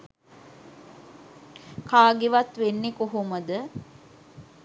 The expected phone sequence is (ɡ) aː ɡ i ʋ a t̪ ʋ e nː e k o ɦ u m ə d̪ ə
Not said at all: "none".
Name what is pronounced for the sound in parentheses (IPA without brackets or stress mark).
k